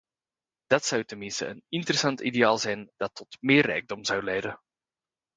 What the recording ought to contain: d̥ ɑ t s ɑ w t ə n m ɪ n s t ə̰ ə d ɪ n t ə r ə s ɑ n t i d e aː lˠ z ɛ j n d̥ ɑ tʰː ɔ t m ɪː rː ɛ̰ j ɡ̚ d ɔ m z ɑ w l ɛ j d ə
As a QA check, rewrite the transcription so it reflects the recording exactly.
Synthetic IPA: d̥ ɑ t s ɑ w t ə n m ɪ n s t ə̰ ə n ɪ n t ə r ə s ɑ n t i d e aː lˠ z ɛ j n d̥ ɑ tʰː ɔ t m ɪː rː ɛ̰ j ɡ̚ d ɔ m z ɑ w l ɛ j d ə